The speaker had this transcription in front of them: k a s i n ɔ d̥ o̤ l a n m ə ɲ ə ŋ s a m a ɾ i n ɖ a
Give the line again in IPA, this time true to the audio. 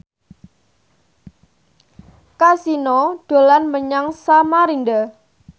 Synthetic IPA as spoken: k a s i n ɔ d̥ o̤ l a n m ə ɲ a ŋ s a m a ɾ i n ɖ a